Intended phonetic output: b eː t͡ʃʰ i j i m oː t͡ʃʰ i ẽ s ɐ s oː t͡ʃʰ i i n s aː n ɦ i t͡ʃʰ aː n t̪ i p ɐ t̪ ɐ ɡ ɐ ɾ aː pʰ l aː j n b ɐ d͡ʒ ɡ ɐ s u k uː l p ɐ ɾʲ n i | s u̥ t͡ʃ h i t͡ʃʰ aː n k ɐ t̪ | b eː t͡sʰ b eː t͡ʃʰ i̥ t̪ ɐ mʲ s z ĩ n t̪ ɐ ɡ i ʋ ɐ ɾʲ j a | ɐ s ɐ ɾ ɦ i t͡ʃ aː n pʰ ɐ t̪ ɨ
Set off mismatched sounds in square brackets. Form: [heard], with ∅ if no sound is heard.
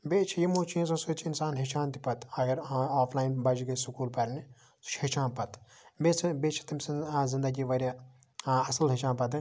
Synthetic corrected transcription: b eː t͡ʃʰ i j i m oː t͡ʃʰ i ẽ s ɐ s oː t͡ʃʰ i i n s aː n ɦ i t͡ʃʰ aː n t̪ i p ɐ t̪ ɐ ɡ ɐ ɾ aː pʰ l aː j n b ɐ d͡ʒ ɡ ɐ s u k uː l p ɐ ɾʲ n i | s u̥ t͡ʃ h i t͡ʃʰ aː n [p] ɐ t̪ | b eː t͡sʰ b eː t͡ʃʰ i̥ t̪ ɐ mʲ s z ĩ n [d̪] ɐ ɡ i ʋ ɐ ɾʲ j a | ɐ s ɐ [l] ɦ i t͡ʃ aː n [p] ɐ t̪ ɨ